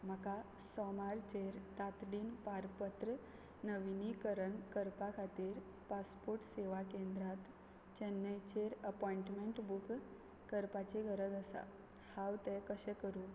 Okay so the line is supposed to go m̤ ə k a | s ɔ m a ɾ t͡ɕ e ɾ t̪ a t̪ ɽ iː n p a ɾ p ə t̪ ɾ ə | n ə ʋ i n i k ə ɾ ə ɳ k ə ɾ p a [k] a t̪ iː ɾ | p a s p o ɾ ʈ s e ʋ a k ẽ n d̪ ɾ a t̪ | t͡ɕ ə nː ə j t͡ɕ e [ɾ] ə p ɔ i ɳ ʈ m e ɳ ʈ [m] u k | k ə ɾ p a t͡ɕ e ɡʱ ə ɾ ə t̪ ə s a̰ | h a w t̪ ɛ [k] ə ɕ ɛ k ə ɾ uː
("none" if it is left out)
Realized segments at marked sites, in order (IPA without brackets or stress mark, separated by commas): kʰ, ɾ, b, k